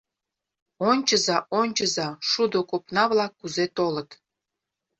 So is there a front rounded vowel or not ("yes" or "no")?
no